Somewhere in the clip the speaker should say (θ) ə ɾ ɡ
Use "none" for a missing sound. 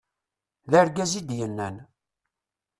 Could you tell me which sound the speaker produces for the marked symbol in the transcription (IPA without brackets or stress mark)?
ð